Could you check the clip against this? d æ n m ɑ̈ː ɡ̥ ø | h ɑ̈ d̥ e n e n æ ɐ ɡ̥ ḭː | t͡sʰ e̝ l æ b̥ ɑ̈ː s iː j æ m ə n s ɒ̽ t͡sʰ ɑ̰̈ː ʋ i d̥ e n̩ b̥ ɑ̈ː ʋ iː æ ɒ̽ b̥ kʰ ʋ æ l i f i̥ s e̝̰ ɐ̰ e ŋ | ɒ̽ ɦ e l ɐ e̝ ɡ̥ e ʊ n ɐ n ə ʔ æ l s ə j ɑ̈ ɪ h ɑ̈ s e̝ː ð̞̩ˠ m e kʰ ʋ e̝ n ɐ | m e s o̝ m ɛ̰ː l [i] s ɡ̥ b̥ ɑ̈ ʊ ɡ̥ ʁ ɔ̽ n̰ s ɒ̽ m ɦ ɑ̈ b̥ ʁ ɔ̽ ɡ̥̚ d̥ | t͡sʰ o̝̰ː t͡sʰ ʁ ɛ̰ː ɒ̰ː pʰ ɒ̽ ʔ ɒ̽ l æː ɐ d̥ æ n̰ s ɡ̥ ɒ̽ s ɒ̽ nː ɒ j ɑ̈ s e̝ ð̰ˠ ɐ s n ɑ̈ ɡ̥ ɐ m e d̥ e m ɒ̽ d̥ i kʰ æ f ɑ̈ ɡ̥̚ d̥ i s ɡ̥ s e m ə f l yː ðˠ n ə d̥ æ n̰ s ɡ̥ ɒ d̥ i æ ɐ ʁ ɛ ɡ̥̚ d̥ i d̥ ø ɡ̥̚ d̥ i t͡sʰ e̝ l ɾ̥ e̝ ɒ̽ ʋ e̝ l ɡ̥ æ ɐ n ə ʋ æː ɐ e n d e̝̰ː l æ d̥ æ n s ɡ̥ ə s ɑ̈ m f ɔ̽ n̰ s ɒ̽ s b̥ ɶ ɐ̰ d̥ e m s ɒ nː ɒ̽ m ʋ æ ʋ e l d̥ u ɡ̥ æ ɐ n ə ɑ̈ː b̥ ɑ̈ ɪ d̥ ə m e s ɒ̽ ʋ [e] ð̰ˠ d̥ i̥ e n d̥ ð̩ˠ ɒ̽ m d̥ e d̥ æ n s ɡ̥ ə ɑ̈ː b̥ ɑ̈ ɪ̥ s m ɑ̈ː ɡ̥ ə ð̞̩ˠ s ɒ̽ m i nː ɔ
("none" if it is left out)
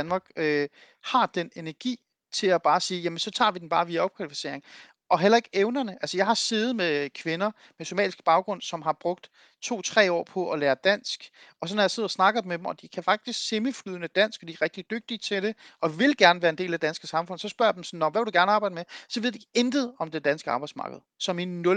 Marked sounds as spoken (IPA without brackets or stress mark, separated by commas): i, e